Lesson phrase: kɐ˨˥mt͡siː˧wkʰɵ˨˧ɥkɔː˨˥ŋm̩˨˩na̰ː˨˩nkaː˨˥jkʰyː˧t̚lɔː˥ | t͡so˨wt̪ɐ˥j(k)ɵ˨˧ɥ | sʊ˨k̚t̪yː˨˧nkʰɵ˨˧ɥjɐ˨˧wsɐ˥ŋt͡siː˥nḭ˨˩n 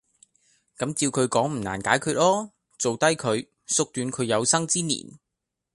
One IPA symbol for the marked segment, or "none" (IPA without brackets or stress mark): kʰ